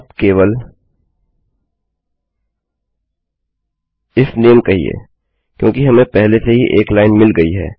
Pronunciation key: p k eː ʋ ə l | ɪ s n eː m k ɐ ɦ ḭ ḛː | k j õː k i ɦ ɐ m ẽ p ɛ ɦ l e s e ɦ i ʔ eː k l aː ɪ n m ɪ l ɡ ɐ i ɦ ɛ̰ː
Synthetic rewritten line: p k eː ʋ ə l | ɪ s n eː m k ɐ ɦ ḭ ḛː | k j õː k i ɦ ɐ m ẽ p ɛ ɦ l e s e ɦ i ʔ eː k l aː ɪ n m ɪ l ɡ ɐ i ɦ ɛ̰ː